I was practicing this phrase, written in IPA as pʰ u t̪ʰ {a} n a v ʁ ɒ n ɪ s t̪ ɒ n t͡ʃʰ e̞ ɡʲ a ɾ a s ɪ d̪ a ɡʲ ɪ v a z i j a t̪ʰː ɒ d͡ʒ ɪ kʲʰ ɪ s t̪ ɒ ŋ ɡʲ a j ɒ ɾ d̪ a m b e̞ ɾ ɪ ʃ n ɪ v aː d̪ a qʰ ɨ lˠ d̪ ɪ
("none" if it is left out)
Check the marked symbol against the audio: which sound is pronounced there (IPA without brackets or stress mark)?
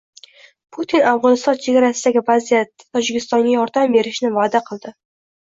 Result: i